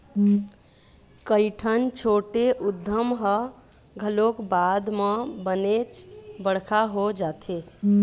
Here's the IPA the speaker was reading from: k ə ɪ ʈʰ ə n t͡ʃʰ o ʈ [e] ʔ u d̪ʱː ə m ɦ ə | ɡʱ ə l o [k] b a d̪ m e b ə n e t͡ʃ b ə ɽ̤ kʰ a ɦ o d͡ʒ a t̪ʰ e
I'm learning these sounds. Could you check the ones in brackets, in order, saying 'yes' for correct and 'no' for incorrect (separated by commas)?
yes, yes